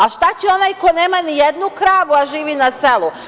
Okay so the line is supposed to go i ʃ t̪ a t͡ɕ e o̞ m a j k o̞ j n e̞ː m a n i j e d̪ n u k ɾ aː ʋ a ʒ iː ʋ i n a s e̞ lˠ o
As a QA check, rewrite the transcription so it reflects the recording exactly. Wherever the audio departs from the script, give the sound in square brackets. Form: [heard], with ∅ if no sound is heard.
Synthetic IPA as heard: [a] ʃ t̪ a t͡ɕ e o̞ [n] a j k o̞ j n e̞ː m a n i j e d̪ n u k ɾ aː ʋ a ʒ iː ʋ i n a s e̞ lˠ [u]